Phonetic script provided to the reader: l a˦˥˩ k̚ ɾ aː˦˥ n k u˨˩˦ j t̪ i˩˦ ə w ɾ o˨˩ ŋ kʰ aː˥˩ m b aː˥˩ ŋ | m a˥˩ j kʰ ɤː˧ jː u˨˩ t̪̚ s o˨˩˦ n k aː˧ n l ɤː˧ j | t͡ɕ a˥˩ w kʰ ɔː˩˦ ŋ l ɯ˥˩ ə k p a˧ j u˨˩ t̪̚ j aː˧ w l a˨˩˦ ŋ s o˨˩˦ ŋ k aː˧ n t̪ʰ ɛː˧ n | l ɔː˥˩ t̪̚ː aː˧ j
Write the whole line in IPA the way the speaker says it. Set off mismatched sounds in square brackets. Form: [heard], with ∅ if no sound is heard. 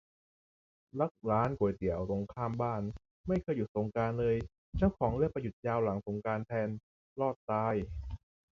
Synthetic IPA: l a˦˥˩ k̚ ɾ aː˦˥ n k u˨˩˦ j t̪ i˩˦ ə w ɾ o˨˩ ŋ kʰ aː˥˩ m b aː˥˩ [n] | m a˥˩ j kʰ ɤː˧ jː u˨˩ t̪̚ s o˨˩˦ [ŋ] k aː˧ n l ɤː˧ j | t͡ɕ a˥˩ w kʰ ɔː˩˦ ŋ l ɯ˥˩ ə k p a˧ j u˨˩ t̪̚ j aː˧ w l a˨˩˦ ŋ s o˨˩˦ ŋ k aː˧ n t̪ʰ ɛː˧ n | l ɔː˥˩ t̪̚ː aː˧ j